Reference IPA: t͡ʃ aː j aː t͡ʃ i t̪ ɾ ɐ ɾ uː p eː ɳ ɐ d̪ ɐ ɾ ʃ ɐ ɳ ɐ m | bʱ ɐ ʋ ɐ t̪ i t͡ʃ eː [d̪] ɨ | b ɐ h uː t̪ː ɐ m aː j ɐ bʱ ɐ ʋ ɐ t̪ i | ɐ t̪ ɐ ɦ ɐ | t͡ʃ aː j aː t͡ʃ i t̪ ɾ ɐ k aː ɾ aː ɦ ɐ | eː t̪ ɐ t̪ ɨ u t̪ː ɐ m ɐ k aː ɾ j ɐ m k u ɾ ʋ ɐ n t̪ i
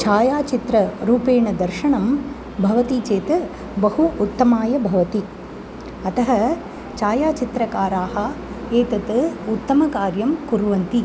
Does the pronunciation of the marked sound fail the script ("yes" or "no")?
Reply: yes